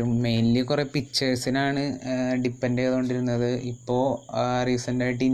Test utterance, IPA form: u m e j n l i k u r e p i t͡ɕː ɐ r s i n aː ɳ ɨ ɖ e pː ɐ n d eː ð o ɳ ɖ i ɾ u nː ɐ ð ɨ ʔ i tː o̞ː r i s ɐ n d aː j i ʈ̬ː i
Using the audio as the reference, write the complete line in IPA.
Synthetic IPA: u m e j n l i k u r e p i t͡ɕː ɐ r s i n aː ɳ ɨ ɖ i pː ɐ n d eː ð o ɳ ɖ i ɾ u nː ɐ ð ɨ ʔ i pː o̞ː r i s ɐ n d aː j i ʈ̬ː i